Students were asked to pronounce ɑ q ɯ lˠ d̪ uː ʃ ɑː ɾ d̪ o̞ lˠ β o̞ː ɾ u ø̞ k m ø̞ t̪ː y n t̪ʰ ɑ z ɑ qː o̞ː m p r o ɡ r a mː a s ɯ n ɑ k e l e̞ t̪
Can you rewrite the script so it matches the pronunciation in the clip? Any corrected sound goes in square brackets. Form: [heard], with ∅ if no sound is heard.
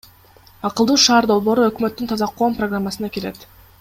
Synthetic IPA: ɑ q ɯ lˠ d̪ uː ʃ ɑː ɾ d̪ o̞ lˠ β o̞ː ɾ u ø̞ k m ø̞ t̪ː y n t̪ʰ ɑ z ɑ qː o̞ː m p r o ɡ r a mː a s ɯ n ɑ k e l e̞ t̪